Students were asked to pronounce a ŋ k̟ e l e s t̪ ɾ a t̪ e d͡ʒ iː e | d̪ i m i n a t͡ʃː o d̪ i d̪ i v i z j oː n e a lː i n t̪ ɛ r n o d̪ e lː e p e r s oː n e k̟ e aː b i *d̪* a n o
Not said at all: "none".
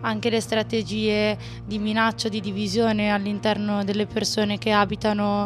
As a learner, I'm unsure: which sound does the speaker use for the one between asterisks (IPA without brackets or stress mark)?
t̪